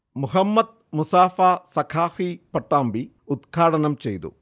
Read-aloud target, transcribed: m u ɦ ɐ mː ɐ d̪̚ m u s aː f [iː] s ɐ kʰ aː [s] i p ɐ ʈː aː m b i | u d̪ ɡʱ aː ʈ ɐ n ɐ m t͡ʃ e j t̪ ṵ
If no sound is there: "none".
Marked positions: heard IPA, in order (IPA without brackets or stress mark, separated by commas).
aː, f